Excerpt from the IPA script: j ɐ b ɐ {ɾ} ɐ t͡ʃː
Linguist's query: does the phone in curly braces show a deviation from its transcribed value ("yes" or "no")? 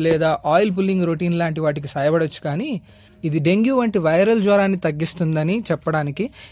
yes